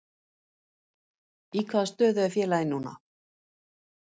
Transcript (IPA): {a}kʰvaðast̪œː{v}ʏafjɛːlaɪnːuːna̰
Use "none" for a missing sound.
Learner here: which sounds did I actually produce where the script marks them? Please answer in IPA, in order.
i, ð

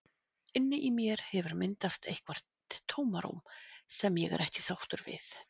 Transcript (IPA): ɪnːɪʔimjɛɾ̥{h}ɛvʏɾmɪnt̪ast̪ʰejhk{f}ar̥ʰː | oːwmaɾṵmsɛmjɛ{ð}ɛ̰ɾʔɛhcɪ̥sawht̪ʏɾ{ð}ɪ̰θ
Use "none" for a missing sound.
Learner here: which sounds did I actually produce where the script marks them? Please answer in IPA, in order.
h, v, ɣ, v

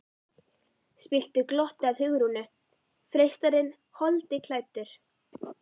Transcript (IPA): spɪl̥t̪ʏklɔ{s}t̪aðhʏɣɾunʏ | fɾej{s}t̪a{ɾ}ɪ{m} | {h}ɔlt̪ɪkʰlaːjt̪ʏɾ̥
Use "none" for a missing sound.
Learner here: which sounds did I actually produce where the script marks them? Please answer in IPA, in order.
h, s, ɾ, n, h

